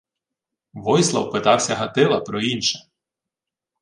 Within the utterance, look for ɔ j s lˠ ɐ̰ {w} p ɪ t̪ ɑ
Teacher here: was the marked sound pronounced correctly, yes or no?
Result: yes